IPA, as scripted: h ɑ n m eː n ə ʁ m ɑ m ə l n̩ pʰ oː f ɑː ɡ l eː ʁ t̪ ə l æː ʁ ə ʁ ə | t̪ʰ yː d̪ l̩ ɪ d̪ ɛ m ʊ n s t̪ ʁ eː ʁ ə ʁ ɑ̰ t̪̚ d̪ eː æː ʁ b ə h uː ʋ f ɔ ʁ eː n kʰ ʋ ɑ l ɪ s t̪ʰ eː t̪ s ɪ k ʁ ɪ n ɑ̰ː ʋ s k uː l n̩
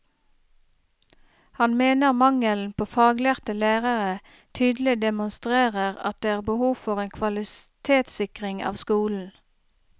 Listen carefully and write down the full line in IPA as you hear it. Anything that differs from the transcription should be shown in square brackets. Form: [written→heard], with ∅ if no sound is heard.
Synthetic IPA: h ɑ n m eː n ə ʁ m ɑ [m→ŋ] ə l n̩ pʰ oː f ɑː ɡ l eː ʁ t̪ ə l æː ʁ ə ʁ ə | t̪ʰ yː d̪ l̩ ɪ d̪ ɛ m ʊ n s t̪ ʁ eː ʁ ə ʁ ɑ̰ t̪̚ d̪ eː æː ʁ b ə h uː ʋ f ɔ ʁ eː n kʰ ʋ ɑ l ɪ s t̪ʰ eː t̪ s ɪ k ʁ ɪ [n→ŋ] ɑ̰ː ʋ s k uː l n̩